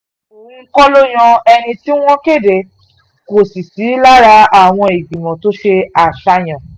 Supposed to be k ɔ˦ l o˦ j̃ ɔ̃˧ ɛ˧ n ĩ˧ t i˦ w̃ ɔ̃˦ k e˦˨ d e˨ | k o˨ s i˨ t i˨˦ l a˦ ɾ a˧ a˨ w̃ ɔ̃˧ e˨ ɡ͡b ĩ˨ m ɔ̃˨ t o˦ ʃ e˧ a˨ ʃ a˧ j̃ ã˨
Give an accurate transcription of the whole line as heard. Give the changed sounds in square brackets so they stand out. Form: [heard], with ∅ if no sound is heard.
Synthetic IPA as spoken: k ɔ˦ l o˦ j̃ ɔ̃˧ ɛ˧ n ĩ˧ t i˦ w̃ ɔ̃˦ k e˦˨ d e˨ | k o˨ s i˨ [s] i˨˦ l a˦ ɾ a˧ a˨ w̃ ɔ̃˧ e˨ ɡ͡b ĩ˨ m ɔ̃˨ t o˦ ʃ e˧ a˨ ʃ a˧ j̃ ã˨